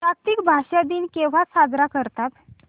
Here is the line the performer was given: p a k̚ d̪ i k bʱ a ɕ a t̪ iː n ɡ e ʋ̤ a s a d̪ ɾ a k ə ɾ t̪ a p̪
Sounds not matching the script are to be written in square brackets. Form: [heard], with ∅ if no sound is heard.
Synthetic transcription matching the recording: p a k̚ [t̪] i k bʱ a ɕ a [d̪] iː n [k] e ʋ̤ a s a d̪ ɾ a k ə ɾ t̪ a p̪

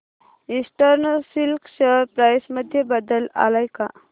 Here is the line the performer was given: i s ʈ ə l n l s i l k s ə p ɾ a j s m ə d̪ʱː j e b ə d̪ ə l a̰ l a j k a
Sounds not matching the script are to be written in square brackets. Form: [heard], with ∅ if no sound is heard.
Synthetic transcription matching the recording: i s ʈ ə [ɾ] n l s i l k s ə p ɾ a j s m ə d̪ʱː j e b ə d̪ ə l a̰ l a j k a

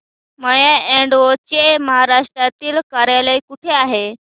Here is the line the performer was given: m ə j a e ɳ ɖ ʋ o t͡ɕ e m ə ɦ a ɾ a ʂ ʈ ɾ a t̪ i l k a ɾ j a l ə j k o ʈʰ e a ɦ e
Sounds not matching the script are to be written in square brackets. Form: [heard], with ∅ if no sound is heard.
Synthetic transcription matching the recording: m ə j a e ɳ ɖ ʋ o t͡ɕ e m ə ɦ a ɾ a ʂ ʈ ɾ a t̪ [iː] l k a ɾ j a l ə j k [u] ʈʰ e a ɦ e

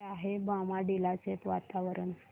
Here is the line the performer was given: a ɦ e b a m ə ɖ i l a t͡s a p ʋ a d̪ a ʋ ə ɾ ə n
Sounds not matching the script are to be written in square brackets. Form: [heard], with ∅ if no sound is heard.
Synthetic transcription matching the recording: a ɦ e b a m [a] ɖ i l a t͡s [e] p ʋ a [t̪] a ʋ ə ɾ ə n

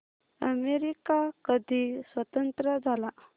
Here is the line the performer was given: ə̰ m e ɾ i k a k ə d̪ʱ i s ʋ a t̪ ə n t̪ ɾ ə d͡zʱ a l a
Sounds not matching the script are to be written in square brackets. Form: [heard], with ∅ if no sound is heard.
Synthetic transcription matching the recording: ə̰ m e ɾ i k a k ə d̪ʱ i s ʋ [ə] t̪ ə n t̪ ɾ ə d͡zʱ a l a

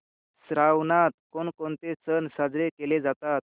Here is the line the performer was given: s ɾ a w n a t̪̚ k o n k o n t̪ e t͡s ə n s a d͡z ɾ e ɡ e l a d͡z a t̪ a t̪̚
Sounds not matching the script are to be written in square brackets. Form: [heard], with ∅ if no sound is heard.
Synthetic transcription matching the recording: s ɾ a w n a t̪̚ k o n k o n t̪ e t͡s ə n s a d͡z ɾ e [k] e l [e] d͡z a t̪ a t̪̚

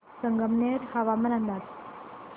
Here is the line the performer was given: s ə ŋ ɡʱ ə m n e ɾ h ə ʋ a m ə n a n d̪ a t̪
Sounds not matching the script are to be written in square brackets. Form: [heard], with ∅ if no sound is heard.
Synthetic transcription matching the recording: s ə ŋ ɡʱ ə m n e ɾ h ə ʋ a m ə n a n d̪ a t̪

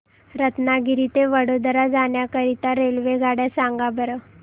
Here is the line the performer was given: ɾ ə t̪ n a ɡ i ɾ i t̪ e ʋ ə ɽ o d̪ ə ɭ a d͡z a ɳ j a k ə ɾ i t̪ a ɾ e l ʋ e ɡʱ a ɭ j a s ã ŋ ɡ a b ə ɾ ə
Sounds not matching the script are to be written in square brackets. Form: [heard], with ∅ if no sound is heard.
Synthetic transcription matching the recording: ɾ ə t̪ n a ɡ i ɾ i t̪ e ʋ ə ɽ o d̪ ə [ɾ] a d͡z a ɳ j a k ə ɾ i t̪ a ɾ e l ʋ e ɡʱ a [ɽ] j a s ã ŋ ɡ a b ə ɾ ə

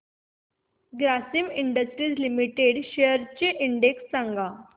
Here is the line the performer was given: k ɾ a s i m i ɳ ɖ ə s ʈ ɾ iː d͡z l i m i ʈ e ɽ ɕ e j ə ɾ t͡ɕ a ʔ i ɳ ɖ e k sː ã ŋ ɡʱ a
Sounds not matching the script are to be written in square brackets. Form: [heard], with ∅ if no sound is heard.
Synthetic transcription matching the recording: [ɡ] ɾ a s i m i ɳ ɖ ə s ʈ ɾ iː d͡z l i m i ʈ e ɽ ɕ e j ə ɾ t͡ɕ [e] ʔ i ɳ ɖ e k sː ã ŋ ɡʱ a

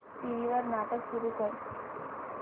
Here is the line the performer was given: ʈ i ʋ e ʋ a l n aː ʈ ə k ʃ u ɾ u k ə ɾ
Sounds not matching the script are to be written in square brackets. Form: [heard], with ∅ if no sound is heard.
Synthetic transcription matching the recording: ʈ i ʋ [i] ʋ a [ɾ] n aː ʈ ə k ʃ u ɾ u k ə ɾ

